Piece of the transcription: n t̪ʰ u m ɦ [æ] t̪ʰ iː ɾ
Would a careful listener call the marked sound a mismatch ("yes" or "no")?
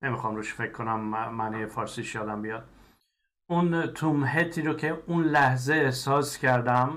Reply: yes